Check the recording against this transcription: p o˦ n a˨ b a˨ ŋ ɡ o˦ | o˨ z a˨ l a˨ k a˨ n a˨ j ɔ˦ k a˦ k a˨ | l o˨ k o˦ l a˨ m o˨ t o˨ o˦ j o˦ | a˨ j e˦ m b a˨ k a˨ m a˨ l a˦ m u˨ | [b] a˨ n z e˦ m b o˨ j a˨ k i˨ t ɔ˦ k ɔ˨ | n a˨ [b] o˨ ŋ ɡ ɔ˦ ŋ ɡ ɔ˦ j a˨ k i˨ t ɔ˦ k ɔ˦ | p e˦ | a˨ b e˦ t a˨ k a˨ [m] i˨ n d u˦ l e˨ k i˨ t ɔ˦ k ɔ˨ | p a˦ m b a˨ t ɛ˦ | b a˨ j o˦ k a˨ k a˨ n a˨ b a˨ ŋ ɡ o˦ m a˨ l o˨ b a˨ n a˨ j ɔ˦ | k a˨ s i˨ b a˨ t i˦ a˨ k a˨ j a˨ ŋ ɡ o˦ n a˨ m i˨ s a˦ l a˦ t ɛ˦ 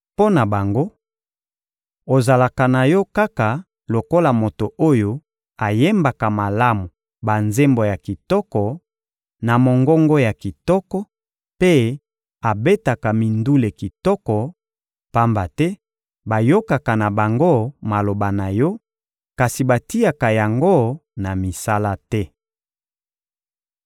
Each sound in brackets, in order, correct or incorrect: correct, incorrect, correct

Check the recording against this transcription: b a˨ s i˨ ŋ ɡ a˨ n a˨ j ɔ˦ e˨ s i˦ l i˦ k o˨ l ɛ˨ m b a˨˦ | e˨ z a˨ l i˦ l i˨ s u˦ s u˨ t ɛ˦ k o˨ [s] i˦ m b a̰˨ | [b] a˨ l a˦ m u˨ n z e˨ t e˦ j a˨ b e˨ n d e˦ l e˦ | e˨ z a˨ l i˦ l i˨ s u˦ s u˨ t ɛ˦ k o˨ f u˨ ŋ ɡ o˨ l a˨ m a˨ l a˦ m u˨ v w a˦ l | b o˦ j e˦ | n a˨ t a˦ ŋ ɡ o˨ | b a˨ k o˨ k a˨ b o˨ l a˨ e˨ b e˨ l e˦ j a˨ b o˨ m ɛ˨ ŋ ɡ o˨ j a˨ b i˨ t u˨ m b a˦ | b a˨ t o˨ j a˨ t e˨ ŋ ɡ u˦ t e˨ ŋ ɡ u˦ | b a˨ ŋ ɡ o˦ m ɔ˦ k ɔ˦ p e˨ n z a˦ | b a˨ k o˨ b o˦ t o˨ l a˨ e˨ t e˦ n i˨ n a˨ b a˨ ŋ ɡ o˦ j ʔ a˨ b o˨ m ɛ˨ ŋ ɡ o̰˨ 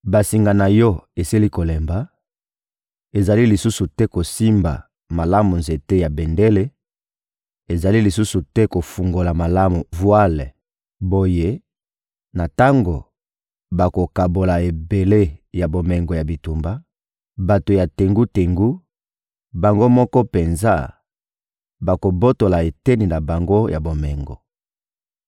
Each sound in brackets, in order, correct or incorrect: correct, incorrect

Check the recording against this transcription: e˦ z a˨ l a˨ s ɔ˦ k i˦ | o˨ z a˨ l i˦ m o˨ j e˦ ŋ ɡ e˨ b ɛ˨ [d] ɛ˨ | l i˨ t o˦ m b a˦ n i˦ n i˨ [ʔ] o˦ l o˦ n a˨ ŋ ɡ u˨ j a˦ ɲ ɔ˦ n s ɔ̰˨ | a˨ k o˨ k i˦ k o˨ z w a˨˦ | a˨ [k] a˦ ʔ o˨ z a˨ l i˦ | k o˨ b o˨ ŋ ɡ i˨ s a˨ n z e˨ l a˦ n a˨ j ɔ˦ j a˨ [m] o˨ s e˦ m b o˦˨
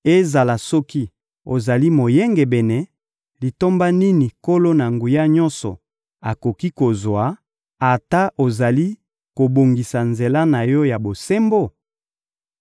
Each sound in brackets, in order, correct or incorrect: incorrect, incorrect, incorrect, incorrect

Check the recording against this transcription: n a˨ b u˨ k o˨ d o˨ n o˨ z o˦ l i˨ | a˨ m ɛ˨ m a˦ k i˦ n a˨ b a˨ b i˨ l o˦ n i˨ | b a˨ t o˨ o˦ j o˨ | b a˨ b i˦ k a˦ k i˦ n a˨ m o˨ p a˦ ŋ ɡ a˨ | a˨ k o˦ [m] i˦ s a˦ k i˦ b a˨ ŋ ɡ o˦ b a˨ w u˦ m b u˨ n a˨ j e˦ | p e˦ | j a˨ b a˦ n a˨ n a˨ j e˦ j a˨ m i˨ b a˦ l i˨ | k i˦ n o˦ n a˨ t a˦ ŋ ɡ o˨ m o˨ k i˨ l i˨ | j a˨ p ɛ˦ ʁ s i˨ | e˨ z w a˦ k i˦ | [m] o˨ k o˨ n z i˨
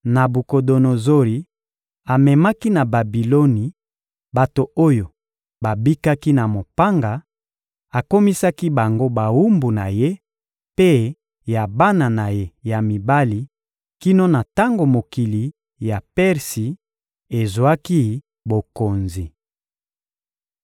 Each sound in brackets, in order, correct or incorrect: correct, incorrect

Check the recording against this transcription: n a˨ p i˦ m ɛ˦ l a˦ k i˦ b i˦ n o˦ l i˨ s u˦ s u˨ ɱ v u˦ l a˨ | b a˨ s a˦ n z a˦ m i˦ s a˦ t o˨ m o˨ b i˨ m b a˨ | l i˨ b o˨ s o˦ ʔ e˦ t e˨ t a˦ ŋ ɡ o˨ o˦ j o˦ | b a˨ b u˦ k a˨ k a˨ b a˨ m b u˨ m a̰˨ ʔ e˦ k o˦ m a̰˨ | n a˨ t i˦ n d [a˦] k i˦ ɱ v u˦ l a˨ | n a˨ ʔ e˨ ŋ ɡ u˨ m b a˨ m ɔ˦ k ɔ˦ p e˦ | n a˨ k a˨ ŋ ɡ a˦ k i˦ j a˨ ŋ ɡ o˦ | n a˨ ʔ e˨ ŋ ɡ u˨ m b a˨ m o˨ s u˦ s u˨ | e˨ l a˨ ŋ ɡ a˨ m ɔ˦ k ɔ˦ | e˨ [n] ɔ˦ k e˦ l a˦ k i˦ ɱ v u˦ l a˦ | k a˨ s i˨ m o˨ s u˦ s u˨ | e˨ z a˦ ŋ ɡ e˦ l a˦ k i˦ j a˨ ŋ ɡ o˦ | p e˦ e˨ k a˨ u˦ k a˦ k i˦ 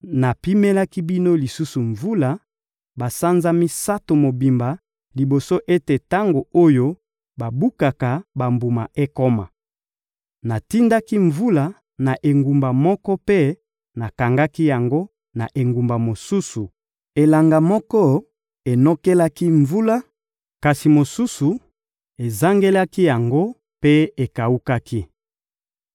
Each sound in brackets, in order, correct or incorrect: correct, correct

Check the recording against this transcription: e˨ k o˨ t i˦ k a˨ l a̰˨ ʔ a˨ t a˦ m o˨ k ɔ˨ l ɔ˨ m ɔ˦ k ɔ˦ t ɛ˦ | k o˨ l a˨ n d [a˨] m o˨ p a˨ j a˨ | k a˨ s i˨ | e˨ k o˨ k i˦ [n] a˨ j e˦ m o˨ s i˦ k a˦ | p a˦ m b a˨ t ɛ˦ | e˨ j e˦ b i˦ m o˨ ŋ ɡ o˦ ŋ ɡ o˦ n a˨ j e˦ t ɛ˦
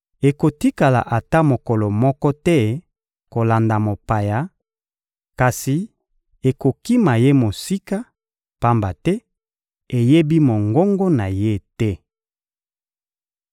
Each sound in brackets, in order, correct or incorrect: correct, incorrect

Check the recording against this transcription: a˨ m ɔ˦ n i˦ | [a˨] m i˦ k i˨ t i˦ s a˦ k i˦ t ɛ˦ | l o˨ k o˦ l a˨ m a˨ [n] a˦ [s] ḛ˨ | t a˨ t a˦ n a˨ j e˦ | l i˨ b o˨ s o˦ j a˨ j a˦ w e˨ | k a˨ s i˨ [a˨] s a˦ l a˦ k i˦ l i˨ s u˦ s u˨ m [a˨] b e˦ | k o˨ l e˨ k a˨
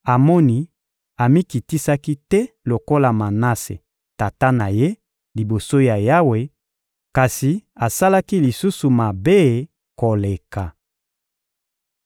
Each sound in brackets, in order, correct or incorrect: correct, correct, correct, correct, correct

